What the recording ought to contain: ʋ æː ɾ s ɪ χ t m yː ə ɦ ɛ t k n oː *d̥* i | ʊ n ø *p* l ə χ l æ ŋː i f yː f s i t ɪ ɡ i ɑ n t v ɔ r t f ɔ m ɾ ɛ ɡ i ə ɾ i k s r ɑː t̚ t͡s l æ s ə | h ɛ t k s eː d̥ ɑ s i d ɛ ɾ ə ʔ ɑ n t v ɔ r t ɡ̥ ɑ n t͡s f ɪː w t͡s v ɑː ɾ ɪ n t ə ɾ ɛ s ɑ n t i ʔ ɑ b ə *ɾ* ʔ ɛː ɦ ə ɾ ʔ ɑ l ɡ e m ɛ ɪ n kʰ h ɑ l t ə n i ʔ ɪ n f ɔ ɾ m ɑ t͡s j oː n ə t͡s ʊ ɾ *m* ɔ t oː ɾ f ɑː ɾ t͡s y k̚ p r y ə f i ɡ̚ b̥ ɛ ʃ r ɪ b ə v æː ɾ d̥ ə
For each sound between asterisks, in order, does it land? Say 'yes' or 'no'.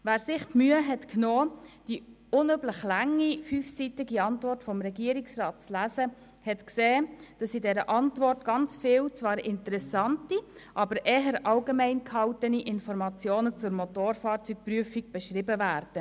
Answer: yes, no, yes, yes

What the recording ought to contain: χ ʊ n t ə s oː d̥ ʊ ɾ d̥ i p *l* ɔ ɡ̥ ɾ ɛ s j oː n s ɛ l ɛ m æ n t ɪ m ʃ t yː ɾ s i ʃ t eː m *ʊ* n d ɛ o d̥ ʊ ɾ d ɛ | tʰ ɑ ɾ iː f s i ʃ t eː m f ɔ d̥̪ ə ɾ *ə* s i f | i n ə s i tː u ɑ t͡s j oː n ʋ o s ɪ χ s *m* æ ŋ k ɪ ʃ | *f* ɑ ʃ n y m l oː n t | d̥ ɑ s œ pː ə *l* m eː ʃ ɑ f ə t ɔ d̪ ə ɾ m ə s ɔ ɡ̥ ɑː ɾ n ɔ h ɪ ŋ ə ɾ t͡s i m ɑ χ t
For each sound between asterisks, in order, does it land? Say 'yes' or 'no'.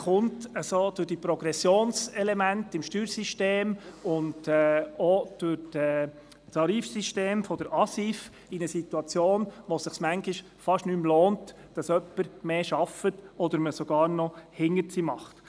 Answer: no, yes, no, yes, yes, no

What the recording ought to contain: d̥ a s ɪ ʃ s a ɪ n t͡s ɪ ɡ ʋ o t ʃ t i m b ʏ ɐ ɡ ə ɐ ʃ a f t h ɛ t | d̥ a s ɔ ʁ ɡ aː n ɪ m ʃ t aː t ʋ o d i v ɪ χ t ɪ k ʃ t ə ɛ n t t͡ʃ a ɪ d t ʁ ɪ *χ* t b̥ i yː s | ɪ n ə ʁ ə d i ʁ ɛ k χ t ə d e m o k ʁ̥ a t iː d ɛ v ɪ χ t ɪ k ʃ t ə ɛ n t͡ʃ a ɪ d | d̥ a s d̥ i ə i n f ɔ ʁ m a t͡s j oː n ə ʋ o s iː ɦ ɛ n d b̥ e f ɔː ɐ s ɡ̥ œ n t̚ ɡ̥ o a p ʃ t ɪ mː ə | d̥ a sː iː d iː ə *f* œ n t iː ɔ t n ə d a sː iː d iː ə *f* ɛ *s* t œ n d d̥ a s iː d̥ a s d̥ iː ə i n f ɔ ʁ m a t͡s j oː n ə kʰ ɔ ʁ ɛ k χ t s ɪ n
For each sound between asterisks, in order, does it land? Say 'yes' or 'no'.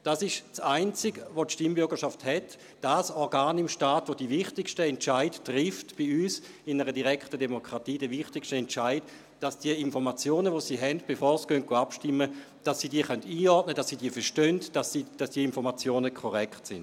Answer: no, no, yes, no

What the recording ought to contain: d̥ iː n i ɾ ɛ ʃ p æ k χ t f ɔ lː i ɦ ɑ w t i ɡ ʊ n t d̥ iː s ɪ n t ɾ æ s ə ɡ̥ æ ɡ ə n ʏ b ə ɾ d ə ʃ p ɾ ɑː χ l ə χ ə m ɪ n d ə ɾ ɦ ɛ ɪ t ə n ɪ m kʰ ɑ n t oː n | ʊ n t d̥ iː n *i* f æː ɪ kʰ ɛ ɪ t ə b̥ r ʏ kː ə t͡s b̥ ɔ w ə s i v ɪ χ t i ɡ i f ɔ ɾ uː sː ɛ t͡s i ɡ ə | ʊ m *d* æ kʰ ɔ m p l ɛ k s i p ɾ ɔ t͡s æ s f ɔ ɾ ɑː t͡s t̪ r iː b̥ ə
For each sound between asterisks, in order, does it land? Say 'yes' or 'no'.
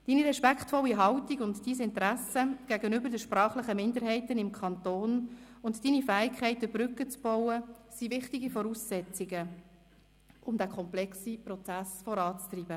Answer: yes, yes

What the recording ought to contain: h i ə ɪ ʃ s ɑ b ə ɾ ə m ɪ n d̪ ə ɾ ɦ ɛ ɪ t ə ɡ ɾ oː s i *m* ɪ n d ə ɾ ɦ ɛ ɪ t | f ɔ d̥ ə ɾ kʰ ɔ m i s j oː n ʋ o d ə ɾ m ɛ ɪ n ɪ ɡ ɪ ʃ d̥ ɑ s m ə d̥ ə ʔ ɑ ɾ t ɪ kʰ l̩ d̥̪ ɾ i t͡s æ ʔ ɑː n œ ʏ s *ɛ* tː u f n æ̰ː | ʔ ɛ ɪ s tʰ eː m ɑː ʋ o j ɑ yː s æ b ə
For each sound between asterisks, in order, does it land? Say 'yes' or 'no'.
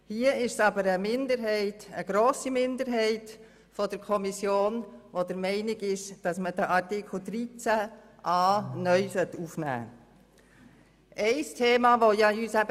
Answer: yes, no

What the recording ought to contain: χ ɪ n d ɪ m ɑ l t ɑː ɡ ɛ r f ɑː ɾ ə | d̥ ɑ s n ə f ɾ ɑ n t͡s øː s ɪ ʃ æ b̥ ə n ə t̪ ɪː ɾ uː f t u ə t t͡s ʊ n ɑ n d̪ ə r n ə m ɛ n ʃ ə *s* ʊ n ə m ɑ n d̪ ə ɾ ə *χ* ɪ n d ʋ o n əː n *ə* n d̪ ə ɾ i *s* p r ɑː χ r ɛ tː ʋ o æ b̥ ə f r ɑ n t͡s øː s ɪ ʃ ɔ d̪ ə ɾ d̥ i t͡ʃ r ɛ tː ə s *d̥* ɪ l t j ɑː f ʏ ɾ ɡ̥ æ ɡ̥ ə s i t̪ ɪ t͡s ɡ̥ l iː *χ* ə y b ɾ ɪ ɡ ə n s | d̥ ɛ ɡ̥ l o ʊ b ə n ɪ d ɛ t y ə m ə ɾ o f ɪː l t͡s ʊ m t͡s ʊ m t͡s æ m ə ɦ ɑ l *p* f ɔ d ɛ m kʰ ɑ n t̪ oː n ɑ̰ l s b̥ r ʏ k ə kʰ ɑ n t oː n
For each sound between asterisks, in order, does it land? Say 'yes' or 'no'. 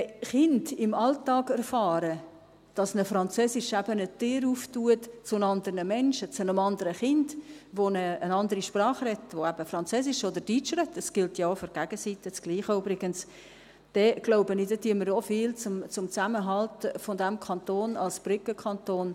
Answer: no, yes, no, no, no, yes, no

